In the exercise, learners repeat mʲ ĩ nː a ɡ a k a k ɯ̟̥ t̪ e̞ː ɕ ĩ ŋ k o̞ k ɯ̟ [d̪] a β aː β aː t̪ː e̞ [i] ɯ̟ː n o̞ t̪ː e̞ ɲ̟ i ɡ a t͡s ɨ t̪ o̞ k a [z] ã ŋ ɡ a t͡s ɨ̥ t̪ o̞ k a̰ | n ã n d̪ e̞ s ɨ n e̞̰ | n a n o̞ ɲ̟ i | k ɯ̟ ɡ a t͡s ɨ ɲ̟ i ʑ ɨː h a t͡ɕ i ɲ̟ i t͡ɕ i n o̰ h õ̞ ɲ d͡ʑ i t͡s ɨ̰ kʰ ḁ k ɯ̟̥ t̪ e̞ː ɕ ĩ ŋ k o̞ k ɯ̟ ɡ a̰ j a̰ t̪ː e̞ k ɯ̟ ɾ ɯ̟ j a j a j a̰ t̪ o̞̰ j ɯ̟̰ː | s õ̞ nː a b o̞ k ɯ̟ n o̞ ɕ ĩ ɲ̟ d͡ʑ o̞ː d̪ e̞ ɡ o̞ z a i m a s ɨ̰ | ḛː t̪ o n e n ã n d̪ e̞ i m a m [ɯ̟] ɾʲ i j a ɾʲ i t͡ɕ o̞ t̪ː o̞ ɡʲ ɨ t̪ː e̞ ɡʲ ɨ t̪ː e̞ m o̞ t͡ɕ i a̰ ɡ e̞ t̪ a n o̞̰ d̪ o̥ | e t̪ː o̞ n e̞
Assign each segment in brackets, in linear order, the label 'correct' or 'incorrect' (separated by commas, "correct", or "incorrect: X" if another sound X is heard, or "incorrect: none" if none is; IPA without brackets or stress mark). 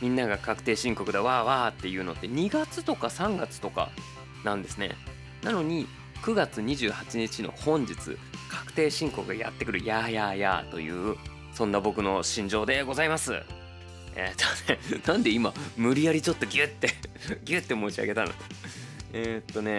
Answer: correct, incorrect: j, incorrect: s, correct